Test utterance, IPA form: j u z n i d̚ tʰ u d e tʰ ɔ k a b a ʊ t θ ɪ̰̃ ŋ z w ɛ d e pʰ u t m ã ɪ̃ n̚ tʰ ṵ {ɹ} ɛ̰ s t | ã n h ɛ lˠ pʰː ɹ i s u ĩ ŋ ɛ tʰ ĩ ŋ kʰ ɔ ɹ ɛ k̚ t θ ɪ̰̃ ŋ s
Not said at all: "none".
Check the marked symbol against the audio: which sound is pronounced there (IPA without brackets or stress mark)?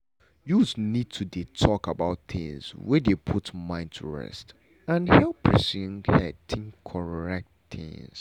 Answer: ɹ